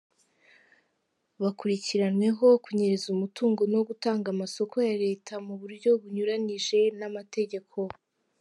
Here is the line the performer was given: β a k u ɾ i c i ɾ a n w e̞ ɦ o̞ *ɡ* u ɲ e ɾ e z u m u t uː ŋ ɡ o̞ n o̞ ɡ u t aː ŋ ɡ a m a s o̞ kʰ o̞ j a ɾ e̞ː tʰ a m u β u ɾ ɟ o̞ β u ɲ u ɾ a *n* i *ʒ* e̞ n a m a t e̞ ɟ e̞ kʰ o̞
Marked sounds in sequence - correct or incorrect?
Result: incorrect: k, correct, correct

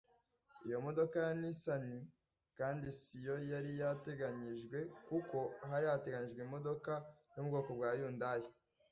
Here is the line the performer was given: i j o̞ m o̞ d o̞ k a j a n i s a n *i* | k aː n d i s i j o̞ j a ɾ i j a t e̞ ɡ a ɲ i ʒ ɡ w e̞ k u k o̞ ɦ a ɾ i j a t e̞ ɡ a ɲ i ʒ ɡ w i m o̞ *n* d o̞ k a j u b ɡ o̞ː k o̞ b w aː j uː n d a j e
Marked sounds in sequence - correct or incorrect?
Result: correct, incorrect: none

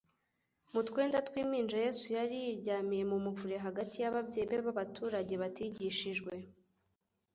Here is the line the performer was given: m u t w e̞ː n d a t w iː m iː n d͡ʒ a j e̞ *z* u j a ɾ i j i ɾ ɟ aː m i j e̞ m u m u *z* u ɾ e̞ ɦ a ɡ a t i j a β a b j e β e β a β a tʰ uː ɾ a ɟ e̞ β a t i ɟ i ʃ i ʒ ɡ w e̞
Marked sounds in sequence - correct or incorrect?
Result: incorrect: s, incorrect: v

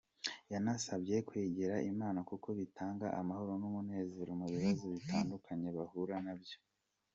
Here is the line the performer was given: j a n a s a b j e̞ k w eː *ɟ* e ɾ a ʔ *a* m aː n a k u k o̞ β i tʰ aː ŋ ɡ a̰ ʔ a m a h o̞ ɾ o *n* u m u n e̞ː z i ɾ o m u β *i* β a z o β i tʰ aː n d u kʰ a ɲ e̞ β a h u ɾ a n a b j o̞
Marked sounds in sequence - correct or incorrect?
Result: correct, incorrect: i, correct, correct

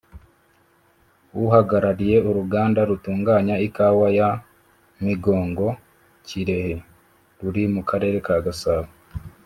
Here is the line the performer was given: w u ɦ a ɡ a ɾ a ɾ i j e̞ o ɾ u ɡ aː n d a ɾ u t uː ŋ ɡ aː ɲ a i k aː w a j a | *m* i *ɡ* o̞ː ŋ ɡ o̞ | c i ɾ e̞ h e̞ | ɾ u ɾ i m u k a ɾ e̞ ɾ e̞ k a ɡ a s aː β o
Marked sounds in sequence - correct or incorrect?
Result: correct, correct

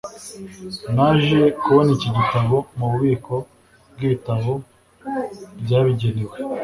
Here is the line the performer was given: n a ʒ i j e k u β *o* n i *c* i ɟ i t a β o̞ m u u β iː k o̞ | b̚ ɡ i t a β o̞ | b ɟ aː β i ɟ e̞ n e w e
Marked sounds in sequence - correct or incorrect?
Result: correct, correct

